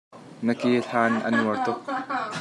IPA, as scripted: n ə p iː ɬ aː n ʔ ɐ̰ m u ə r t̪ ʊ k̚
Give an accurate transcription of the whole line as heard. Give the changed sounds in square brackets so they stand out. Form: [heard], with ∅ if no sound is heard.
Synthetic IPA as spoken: n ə [k] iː ɬ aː n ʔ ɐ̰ [n] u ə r t̪ ʊ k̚